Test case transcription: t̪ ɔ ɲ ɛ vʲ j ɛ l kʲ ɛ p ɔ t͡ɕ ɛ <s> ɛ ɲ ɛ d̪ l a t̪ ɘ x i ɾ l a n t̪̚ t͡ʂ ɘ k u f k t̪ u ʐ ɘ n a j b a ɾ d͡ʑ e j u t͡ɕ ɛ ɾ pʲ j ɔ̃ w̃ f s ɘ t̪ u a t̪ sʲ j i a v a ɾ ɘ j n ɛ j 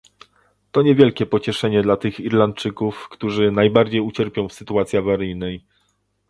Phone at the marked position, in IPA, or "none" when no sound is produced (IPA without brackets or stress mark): ʂ